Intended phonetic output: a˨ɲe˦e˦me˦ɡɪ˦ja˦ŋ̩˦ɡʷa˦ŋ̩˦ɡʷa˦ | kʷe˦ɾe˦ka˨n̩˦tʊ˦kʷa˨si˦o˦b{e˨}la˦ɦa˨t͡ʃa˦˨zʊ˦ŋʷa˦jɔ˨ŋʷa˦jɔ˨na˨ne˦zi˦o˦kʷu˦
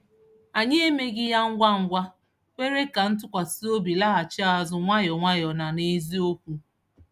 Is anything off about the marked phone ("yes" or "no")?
yes